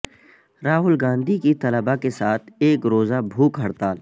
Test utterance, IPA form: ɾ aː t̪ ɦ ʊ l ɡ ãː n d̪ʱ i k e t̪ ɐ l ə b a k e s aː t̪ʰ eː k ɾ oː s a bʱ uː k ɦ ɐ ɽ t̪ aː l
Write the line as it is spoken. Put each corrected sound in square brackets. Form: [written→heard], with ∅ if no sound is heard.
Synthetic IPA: ɾ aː [t̪→∅] ɦ ʊ l ɡ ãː n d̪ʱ i k [e→i] t̪ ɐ l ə b a k e s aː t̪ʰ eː k ɾ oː [s→z] a bʱ uː k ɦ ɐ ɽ t̪ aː l